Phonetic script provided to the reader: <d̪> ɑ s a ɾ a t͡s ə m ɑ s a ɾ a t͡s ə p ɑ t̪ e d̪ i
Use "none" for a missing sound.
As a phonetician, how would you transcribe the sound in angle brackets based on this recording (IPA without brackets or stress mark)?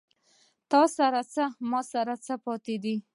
t̪